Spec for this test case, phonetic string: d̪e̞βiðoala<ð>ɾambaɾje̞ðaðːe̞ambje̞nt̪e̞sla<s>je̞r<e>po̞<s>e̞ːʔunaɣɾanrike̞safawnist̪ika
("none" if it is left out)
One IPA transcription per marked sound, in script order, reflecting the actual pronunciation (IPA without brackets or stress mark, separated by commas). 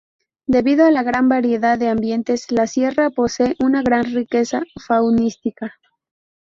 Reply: ɣ, s, a, s